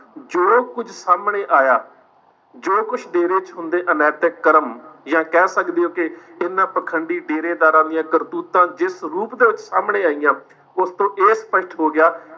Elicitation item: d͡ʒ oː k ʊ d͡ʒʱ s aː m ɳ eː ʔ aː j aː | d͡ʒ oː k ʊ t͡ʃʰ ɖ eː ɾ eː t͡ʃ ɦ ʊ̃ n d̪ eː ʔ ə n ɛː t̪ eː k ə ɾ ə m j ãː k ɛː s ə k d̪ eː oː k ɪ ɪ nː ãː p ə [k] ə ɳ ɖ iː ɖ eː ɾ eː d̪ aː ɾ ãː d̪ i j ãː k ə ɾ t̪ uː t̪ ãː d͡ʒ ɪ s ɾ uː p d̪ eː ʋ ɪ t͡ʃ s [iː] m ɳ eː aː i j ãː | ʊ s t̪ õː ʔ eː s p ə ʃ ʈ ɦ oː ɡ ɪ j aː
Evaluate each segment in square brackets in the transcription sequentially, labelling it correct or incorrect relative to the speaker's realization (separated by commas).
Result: incorrect, incorrect